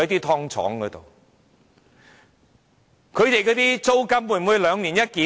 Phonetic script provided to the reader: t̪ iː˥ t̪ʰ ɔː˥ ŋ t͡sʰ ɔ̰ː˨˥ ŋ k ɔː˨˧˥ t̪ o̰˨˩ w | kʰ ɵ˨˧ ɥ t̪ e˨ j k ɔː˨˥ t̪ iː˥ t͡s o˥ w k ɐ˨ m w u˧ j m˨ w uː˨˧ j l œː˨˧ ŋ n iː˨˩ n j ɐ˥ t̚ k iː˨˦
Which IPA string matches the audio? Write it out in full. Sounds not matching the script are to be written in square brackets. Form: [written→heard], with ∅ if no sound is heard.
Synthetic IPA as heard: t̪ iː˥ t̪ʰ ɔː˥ ŋ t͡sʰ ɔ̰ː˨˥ ŋ k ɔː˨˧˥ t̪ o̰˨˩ w | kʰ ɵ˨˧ ɥ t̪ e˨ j k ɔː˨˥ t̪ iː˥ t͡s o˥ w k [ɐ˨→ɐ˥] m w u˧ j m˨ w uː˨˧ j l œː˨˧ ŋ n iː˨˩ n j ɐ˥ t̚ k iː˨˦